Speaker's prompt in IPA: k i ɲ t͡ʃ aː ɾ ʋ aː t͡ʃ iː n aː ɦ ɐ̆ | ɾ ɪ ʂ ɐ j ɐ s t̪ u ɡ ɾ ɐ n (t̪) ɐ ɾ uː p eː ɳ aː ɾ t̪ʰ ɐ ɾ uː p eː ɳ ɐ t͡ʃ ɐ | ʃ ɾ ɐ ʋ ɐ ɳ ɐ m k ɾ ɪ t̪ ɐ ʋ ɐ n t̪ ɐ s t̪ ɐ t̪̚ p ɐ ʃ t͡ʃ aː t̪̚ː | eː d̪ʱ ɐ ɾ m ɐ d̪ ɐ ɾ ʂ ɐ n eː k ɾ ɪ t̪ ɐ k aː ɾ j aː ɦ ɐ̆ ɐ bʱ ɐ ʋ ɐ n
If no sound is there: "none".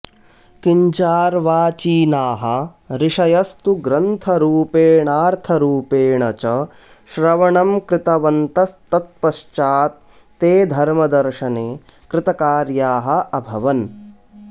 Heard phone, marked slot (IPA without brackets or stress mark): t̪ʰ